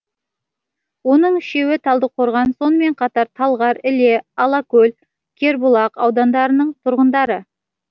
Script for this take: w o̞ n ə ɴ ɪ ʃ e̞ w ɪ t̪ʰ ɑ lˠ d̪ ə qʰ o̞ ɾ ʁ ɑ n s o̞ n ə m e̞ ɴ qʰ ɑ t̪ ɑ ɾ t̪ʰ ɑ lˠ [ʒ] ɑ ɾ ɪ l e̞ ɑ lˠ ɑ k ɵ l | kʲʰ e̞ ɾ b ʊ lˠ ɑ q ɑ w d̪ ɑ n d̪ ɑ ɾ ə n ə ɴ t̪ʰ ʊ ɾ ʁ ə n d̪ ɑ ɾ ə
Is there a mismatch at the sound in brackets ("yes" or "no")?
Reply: yes